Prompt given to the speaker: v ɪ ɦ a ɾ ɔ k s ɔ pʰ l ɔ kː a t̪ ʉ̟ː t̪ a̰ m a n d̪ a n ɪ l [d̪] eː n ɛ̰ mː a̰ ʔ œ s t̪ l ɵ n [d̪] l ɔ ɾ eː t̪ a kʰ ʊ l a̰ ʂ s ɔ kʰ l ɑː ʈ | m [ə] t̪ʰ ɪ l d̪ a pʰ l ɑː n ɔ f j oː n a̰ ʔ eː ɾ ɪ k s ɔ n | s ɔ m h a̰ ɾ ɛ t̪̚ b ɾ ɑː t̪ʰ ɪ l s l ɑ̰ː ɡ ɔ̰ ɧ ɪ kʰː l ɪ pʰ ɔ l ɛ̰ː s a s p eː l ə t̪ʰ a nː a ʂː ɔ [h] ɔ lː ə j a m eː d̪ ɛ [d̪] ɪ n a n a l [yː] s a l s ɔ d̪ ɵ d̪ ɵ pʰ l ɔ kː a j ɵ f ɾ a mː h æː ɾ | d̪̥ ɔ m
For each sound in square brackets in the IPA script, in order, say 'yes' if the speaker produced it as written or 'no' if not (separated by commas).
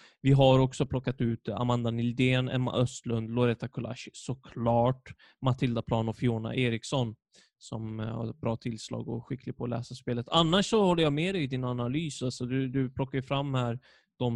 yes, yes, no, yes, yes, yes